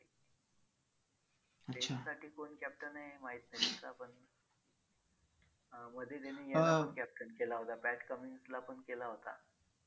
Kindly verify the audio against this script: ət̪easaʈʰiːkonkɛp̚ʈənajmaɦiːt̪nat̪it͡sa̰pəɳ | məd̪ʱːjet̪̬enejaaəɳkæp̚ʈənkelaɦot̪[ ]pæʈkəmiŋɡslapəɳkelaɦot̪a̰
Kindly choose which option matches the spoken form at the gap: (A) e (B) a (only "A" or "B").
B